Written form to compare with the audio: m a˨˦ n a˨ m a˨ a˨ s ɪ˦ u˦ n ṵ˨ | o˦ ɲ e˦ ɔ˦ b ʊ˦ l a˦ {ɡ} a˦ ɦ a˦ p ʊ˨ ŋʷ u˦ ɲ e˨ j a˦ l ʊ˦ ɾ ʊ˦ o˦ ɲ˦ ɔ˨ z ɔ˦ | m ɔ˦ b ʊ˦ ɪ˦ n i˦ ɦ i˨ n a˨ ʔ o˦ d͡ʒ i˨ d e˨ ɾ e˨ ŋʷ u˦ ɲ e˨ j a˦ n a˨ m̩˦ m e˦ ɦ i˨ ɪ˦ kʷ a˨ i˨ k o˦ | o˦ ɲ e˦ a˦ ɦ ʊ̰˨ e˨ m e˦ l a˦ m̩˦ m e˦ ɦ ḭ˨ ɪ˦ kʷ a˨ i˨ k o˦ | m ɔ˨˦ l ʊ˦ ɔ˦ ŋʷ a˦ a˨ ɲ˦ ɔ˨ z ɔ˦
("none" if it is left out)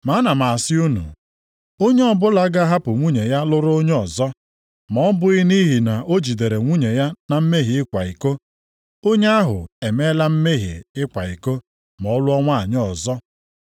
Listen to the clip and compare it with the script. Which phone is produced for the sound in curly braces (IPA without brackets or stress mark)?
ɡ